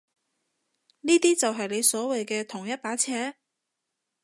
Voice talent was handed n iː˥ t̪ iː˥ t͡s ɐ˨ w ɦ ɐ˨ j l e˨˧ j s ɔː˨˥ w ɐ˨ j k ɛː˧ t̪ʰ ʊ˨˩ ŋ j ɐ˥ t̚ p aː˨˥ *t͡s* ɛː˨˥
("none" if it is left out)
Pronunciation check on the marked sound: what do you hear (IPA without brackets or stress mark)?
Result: t͡sʰ